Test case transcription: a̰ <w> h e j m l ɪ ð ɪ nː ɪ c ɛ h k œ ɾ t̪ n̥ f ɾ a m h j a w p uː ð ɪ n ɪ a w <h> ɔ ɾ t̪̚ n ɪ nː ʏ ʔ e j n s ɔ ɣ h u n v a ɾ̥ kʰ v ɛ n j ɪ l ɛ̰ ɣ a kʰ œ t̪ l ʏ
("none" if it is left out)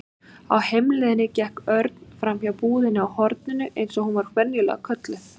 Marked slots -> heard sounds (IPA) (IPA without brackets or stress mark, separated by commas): w, h